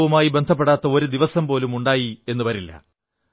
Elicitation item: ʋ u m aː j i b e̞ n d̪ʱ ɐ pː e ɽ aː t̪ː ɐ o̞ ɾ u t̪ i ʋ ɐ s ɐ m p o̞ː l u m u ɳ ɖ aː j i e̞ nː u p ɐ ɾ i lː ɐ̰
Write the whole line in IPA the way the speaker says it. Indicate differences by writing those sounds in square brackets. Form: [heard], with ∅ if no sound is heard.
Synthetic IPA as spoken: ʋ u m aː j i b e̞ n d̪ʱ ɐ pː e ɽ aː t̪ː ɐ o̞ ɾ u [d̪] i ʋ ɐ s ɐ m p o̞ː l u m u ɳ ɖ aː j i e̞ nː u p ɐ ɾ i lː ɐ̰